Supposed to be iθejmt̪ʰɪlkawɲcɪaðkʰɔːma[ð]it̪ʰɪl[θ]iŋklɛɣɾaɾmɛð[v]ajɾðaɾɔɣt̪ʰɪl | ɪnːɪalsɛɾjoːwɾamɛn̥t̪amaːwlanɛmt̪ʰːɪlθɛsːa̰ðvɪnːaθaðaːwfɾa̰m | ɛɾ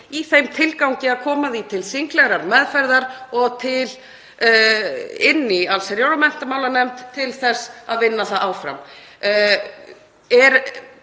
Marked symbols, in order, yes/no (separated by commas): yes, no, no